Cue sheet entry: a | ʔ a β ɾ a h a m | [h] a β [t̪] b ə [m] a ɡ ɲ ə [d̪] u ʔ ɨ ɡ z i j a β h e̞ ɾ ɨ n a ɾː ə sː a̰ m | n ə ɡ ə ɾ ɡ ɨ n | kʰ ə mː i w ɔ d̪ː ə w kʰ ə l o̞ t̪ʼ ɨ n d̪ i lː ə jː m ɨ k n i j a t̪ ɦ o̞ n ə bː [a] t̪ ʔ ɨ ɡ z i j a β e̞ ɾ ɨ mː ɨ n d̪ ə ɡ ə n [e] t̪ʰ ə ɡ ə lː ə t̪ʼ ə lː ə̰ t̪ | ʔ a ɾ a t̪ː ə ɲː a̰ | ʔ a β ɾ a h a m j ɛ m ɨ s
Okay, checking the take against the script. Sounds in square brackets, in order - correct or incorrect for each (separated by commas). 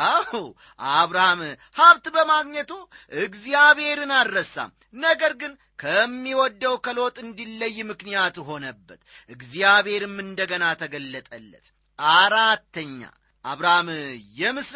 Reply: correct, correct, correct, incorrect, incorrect, incorrect